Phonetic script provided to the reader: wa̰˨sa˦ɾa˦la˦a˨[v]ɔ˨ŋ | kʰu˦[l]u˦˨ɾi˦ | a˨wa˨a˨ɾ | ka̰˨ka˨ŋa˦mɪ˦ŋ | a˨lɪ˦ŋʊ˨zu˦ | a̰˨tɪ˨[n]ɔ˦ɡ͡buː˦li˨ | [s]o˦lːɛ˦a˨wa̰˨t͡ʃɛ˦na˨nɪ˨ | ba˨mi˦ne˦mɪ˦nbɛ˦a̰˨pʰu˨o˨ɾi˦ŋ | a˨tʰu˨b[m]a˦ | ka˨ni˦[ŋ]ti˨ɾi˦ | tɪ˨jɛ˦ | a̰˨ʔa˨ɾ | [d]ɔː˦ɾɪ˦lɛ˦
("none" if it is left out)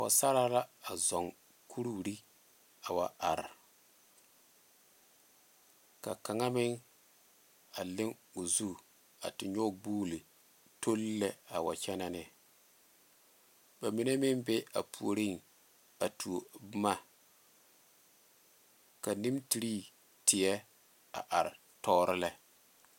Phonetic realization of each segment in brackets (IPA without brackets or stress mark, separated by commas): z, ɾ, ɲ, t, m, m, t